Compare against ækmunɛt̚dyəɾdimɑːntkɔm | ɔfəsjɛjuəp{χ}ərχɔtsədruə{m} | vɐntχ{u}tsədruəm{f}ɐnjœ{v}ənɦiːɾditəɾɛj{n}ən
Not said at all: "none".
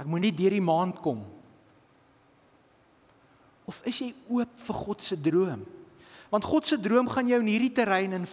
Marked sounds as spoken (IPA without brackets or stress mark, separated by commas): f, m, ɔ, χ, w, n